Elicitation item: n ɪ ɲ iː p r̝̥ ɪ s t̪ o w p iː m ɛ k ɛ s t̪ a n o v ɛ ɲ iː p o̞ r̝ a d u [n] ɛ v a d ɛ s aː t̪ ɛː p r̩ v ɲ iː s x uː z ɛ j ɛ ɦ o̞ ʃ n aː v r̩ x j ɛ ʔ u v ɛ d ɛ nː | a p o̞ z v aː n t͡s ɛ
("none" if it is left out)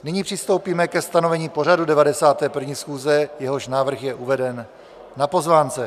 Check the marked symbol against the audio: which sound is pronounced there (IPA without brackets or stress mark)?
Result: d